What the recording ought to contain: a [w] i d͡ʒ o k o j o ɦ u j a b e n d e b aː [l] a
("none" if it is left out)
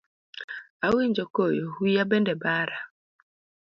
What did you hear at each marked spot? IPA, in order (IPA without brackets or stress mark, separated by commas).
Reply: w, ɾ